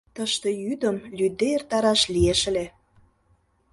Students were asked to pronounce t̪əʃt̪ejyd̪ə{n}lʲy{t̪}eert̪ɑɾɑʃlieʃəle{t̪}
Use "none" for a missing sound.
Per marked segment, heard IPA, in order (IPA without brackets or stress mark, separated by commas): m, d̪, none